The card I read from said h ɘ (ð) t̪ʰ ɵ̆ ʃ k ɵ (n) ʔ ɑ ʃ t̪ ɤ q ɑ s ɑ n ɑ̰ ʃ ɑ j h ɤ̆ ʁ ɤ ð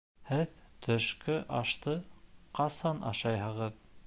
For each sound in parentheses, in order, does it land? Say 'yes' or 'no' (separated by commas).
yes, no